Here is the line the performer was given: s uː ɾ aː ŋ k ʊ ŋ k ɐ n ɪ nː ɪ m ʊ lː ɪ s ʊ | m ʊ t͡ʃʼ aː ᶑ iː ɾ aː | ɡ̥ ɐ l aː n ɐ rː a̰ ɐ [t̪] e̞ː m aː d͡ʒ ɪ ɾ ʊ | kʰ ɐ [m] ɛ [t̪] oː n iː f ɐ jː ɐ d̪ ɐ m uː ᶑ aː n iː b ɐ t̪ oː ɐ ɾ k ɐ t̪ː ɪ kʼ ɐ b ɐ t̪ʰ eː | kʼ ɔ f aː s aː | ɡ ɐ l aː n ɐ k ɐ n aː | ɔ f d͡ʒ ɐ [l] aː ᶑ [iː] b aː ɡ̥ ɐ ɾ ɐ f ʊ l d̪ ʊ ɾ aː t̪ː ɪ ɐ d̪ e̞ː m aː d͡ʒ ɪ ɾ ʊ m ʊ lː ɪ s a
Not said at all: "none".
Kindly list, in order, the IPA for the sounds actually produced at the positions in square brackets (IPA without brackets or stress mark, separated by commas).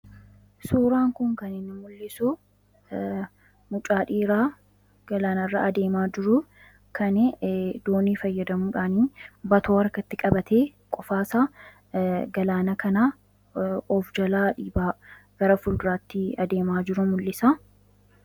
d̪, n, d̪, l, iː